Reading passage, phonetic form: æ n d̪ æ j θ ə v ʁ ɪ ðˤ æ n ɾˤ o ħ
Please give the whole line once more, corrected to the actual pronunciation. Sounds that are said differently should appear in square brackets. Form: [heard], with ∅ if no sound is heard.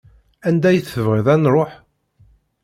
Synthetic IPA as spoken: æ n d̪ æ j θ ə v ʁ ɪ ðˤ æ n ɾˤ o ħ